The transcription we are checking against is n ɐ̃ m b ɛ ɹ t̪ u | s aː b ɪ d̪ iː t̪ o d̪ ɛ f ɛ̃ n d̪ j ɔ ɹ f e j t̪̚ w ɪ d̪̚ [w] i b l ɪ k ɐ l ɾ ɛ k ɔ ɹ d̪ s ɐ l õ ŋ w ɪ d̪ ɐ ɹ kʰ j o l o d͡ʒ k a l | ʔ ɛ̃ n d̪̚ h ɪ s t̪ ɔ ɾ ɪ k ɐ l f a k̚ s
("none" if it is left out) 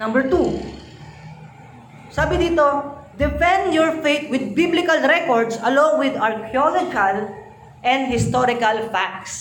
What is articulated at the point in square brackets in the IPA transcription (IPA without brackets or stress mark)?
b